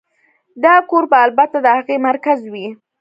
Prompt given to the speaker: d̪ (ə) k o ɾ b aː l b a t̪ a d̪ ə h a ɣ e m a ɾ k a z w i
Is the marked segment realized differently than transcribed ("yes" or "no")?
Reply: yes